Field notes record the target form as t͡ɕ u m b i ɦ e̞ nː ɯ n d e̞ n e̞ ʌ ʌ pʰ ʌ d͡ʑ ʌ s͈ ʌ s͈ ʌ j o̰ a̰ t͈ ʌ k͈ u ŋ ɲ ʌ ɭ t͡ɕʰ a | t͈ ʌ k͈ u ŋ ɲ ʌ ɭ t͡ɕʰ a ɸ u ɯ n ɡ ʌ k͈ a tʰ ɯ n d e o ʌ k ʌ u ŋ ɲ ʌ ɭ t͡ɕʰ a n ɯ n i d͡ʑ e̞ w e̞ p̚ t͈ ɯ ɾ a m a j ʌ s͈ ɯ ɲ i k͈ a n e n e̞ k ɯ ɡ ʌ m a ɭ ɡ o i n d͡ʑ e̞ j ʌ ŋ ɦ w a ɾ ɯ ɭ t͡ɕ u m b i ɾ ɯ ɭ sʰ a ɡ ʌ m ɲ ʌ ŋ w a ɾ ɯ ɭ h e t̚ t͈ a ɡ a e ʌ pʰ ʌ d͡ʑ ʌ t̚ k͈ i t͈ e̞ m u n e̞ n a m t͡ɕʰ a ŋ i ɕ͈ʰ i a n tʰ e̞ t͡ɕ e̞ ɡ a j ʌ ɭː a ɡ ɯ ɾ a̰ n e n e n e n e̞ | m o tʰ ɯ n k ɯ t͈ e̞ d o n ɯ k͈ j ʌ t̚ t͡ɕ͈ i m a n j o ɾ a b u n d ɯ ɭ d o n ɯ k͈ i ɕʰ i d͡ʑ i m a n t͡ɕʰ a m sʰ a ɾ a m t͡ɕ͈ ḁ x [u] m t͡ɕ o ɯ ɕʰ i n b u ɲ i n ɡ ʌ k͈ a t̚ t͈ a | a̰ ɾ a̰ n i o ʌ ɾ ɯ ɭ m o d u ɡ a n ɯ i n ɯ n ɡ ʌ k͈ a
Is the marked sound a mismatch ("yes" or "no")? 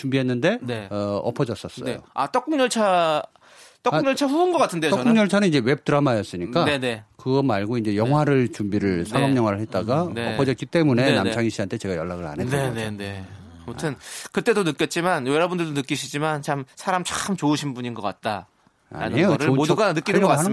yes